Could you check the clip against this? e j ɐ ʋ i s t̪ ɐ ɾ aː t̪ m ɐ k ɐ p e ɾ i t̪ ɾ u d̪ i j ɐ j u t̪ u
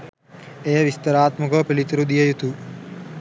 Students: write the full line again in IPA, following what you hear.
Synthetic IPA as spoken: e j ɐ ʋ i s t̪ ɐ ɾ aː t̪ m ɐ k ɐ p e l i t̪ ɾ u d̪ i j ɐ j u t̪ u